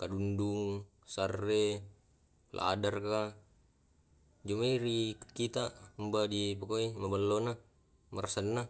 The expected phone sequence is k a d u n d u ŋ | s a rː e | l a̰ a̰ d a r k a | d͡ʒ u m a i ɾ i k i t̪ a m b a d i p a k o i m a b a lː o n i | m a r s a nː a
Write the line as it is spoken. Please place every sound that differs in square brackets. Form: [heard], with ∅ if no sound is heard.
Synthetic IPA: k a d u n d u ŋ | s a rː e | l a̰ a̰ d a r k a | d͡ʒ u m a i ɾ i k i t̪ a m b a d i p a k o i m a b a lː o n [a] | m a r s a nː a